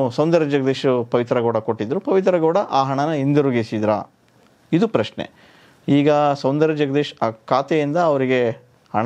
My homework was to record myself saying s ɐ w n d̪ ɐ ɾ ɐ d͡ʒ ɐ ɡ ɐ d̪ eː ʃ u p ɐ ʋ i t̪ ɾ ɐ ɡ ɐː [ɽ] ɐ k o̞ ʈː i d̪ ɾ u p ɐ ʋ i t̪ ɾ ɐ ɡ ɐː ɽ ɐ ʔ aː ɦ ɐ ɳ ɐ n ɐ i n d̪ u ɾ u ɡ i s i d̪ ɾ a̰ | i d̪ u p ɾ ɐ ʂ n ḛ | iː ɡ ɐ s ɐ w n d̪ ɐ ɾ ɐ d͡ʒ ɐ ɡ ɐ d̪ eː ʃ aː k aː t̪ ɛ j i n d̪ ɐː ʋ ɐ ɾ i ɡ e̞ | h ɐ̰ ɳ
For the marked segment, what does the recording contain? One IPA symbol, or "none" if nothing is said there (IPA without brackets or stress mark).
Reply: ɽ